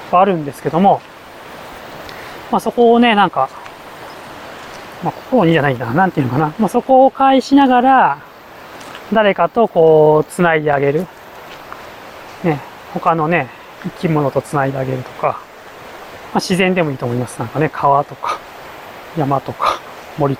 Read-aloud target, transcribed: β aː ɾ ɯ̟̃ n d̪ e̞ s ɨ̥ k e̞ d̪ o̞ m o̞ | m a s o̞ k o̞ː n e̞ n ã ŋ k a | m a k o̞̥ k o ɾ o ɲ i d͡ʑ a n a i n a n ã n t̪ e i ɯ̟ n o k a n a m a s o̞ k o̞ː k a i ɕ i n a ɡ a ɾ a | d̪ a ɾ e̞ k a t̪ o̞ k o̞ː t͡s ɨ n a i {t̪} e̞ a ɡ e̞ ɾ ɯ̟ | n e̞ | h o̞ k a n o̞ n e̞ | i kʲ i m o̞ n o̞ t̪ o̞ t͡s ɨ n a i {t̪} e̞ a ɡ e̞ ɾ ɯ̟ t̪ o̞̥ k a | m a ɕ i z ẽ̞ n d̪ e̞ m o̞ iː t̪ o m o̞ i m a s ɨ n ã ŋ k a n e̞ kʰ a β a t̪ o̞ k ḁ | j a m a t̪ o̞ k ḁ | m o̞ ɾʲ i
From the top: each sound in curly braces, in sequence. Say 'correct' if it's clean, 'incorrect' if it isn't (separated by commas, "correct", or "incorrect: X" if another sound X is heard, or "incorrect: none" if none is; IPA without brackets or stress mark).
incorrect: d̪, incorrect: d̪